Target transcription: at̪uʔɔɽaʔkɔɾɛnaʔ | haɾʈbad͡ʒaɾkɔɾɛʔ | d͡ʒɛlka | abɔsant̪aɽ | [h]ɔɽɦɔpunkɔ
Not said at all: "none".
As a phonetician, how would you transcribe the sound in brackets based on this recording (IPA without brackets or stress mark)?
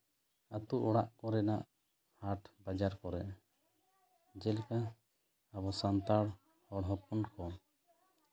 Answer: h